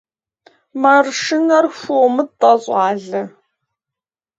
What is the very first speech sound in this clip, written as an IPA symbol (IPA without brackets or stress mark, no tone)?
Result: m